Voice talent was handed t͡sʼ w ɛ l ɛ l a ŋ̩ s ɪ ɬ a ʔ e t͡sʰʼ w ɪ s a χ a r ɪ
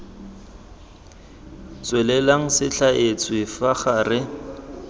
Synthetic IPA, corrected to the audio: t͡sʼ w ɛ l ɛ l a ŋ̩ s ɪ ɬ a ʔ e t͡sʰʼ w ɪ f a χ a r ɪ